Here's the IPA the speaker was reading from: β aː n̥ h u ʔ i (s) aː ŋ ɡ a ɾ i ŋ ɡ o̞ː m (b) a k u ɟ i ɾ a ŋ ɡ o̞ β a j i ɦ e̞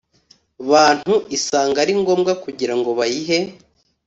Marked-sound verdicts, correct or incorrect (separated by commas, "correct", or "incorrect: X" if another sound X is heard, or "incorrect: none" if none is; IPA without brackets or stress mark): correct, incorrect: ɡ